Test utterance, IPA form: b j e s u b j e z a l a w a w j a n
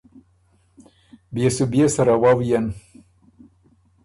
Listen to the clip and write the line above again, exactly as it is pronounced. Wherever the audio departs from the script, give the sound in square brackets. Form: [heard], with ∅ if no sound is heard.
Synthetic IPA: b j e s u b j e [s] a [ɾ] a w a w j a n